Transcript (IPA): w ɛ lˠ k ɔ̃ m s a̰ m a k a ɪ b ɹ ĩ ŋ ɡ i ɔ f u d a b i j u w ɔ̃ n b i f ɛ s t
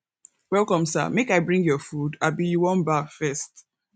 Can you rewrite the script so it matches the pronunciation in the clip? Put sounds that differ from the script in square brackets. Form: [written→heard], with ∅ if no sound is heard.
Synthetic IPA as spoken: w ɛ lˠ k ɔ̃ m s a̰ m [a→e] k a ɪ b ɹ ĩ ŋ ɡ [i→j] ɔ f u d a b i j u w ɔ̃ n b [i→a] f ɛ s t